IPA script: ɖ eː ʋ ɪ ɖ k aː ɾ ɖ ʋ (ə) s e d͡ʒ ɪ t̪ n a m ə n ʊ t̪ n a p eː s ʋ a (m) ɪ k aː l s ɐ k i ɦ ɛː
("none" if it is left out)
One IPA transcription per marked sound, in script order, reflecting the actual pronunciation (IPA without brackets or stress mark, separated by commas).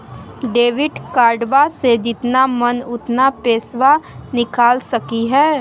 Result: a, n